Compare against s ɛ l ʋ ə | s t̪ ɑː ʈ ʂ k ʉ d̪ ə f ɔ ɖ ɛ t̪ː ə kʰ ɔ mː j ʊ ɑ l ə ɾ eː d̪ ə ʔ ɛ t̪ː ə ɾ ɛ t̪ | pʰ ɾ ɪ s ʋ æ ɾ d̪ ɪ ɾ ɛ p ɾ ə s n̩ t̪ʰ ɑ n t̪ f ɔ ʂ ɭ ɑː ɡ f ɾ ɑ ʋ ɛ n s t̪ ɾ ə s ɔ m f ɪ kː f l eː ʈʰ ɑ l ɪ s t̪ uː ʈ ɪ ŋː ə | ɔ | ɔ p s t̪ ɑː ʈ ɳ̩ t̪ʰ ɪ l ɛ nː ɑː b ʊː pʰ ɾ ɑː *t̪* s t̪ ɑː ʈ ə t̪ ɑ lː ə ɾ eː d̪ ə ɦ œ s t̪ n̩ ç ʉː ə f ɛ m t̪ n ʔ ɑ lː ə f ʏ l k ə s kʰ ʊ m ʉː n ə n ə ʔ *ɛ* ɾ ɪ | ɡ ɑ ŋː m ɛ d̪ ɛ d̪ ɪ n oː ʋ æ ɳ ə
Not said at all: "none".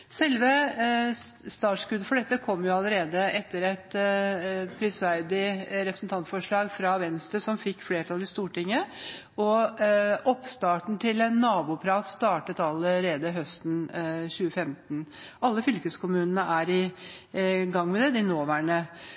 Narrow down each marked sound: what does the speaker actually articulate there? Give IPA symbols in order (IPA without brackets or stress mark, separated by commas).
t̪, æ